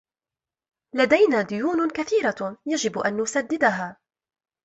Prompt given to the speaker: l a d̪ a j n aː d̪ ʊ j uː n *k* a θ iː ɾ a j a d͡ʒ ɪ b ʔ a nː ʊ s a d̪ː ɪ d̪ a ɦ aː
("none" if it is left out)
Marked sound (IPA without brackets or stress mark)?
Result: k